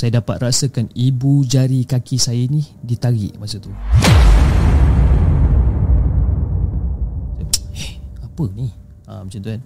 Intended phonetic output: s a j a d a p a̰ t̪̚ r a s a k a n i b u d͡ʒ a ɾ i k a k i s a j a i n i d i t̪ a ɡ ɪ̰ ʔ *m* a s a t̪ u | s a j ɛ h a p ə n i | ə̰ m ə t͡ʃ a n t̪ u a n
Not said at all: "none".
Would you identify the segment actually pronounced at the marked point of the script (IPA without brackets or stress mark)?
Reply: m